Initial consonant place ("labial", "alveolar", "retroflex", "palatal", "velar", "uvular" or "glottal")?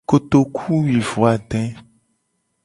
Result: velar